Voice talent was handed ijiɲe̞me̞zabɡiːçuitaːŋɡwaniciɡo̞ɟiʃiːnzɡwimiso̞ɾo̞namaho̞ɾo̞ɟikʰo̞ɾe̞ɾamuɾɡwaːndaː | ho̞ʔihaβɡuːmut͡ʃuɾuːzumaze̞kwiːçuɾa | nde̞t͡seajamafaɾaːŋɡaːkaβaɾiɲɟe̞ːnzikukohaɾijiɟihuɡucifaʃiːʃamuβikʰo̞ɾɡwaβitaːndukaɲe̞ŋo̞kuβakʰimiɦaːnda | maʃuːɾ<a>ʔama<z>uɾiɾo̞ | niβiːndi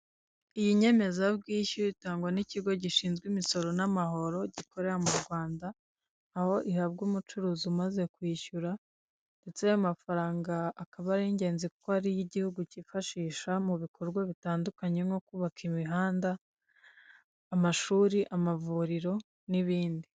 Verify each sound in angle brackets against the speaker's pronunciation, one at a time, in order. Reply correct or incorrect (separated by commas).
incorrect, incorrect